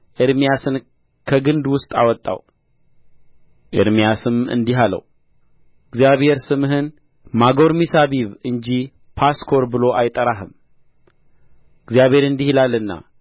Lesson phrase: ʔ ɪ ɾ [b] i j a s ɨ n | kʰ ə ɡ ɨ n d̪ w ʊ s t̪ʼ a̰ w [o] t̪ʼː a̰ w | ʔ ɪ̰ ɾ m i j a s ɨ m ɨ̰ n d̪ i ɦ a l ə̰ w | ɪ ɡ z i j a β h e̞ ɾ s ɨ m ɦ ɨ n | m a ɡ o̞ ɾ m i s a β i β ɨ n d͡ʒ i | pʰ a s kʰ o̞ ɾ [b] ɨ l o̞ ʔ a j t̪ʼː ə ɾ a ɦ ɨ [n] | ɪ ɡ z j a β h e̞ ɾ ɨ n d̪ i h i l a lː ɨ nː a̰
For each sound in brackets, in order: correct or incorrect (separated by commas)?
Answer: incorrect, incorrect, correct, incorrect